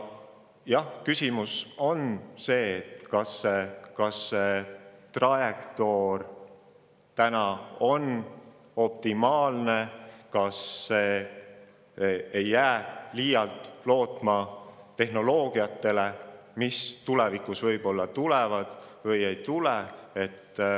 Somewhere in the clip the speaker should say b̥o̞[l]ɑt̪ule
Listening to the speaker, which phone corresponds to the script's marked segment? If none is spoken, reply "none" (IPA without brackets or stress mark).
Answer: lː